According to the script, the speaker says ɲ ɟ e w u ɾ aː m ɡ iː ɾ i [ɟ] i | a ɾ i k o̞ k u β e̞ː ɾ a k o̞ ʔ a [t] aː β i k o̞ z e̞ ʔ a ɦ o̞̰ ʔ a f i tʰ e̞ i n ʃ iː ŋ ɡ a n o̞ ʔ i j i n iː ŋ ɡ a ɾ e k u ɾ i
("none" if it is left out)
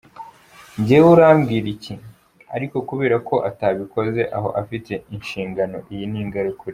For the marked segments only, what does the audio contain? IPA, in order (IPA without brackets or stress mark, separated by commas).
c, t